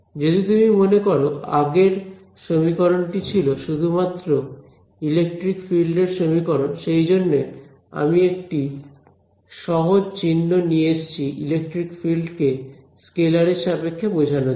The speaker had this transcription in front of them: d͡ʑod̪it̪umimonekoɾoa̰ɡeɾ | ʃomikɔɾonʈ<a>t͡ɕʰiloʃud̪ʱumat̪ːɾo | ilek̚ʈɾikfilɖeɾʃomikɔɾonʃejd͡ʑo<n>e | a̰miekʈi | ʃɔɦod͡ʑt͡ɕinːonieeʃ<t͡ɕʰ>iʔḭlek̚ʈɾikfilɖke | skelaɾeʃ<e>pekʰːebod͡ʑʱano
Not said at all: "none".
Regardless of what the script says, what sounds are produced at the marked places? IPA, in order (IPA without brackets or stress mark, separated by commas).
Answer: i, nː, t͡ɕʰ, a